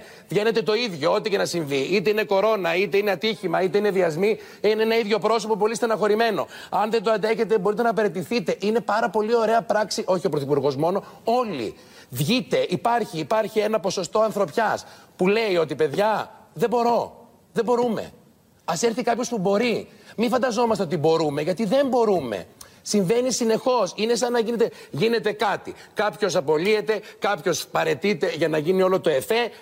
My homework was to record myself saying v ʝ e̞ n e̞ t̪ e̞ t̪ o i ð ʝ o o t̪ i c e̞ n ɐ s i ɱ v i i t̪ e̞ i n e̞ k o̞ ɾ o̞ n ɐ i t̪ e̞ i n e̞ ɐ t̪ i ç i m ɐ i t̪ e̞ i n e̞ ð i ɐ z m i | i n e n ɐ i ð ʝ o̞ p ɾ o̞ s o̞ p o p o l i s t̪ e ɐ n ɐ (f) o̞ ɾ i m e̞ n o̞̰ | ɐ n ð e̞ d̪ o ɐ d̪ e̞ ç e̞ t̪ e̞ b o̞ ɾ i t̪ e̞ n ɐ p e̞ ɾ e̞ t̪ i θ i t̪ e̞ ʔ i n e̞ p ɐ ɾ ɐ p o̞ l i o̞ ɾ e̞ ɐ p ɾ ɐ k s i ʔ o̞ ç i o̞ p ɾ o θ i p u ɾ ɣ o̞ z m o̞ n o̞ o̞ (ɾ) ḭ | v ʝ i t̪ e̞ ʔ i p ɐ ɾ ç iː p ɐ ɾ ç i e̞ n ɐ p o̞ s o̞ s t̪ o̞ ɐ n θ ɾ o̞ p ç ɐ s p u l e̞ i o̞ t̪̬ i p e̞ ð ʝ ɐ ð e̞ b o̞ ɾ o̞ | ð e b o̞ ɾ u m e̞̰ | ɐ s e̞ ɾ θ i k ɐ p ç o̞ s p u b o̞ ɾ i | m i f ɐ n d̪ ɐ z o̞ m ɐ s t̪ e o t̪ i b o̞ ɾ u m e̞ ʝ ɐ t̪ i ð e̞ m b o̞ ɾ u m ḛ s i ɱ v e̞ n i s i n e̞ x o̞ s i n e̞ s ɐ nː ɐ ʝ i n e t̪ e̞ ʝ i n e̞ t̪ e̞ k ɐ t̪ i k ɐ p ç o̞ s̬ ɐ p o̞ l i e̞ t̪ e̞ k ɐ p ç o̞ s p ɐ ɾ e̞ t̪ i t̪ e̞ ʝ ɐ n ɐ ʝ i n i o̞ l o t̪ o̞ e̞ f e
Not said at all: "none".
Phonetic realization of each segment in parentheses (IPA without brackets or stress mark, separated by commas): x, l